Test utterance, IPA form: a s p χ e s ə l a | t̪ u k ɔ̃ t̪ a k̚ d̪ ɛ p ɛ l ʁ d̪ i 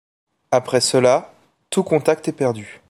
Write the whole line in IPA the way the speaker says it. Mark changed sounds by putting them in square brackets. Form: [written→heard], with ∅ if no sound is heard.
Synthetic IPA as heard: a [s→∅] p χ [e→ɛ] s ə l a | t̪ u k ɔ̃ t̪ a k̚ [d̪→t̪] ɛ p ɛ [l→∅] ʁ d̪ [i→y]